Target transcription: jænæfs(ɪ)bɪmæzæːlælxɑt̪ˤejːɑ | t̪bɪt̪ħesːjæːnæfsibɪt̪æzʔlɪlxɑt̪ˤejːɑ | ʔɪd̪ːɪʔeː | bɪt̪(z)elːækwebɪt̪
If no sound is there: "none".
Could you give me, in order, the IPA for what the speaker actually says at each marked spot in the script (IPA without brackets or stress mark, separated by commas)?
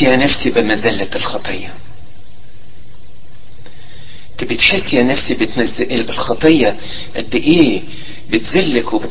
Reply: i, z